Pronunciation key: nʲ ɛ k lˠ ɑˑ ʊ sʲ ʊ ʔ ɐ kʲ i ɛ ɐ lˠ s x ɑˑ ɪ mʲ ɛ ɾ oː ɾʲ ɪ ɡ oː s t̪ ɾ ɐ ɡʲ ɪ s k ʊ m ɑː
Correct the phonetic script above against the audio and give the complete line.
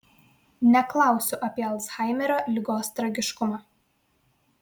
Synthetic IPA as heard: nʲ ɛ k lˠ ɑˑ ʊ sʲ ʊ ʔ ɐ pʲ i ɛ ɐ lˠ s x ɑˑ ɪ mʲ ɛ ɾ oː lʲ ɪ ɡ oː s t̪ ɾ ɐ ɡʲ ɪ ʃ k ʊ m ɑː